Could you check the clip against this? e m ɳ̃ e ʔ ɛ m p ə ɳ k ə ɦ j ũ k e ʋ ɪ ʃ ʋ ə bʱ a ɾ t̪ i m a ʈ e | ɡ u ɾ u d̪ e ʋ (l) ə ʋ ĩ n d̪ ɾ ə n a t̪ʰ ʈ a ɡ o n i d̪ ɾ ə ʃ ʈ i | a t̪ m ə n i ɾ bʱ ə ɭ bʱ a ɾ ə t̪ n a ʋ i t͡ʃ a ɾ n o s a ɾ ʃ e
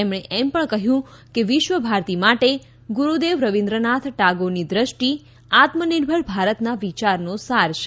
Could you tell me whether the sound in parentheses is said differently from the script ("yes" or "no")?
yes